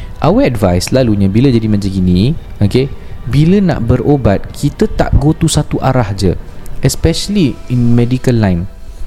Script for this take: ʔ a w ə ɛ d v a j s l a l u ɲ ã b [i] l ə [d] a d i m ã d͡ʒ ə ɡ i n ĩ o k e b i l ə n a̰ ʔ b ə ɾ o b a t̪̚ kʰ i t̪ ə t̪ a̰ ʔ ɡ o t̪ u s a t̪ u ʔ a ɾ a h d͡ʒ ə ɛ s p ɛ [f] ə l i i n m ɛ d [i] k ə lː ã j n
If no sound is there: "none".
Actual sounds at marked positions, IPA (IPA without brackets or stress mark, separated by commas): i, d͡ʒ, ʃ, i